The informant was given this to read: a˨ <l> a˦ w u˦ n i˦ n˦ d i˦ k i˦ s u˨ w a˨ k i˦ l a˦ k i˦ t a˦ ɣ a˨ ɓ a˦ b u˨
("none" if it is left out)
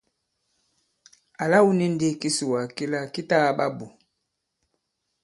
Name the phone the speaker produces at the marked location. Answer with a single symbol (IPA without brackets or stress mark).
l